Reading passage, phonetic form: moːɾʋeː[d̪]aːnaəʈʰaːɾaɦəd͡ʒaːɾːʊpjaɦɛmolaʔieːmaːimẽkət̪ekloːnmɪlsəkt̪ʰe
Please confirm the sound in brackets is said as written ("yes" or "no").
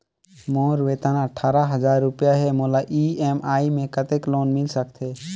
no